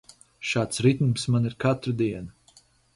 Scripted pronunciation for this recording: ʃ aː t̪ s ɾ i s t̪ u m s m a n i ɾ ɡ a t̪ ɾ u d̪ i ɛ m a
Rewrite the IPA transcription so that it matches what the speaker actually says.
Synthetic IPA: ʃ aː t̪ s ɾ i t̪ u m s m a n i ɾ k a t̪ ɾ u d̪ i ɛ n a